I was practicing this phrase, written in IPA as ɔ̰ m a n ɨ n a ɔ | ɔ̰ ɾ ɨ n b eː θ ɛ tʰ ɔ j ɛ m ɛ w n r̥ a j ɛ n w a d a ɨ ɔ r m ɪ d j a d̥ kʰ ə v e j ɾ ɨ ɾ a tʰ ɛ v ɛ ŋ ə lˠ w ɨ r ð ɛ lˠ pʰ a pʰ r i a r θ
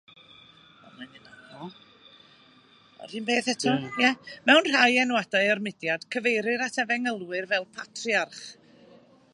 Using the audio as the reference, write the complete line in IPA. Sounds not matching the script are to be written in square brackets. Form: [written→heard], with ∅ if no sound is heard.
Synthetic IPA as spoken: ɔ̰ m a n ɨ n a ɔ | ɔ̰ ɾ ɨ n b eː θ ɛ tʰ ɔ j ɛ m ɛ w n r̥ a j ɛ n w a d a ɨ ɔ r m ɪ d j a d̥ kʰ ə v e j ɾ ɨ ɾ a tʰ ɛ v ɛ ŋ ə lˠ w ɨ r [ð→v] ɛ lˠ pʰ a [pʰ→tʰ] r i a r [θ→χ]